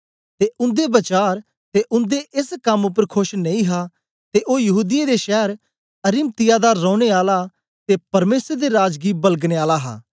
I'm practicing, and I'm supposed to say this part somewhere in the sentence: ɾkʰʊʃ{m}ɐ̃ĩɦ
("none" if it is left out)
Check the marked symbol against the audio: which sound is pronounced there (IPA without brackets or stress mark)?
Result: n